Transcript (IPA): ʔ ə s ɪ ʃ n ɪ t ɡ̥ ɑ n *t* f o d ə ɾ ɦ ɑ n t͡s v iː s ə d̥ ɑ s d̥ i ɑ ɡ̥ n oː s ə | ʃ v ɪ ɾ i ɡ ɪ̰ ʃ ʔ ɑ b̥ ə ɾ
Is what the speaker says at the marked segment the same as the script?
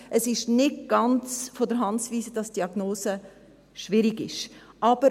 no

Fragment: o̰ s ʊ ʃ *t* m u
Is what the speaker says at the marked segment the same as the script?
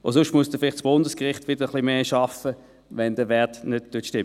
yes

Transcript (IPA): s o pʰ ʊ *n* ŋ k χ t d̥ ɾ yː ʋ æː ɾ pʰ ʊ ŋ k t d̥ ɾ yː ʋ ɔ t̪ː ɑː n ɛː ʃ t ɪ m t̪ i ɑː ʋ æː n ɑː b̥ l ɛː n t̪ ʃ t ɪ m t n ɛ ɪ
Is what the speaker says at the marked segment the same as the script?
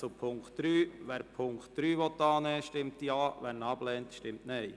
no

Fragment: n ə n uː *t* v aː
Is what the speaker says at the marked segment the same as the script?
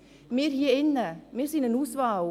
no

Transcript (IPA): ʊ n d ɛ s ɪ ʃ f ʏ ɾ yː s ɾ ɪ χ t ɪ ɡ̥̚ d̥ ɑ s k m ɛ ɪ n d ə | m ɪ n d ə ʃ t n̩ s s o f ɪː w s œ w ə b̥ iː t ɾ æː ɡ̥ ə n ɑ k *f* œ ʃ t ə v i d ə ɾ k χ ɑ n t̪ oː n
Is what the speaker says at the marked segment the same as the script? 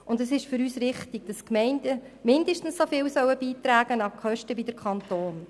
no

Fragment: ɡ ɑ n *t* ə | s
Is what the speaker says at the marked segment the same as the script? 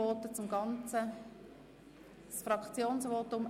no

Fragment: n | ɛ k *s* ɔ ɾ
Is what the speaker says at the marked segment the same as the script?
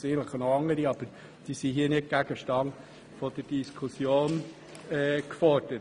no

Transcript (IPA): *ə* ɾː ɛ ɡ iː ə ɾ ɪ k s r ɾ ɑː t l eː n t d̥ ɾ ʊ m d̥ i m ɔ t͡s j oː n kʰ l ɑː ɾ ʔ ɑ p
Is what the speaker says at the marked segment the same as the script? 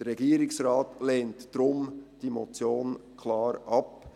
yes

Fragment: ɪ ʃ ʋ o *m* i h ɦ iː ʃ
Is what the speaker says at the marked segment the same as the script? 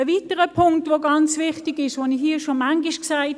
no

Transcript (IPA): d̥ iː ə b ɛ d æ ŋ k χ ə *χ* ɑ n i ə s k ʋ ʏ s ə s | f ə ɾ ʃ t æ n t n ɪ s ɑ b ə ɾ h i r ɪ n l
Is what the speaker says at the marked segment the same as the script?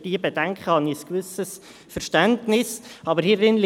no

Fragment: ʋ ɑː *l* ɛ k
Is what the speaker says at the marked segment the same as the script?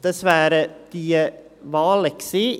yes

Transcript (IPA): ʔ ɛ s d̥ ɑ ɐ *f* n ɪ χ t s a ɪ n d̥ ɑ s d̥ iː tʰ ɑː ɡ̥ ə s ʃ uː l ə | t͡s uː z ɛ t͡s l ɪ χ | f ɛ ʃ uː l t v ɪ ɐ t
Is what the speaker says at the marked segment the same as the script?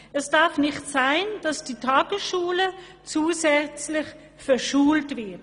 yes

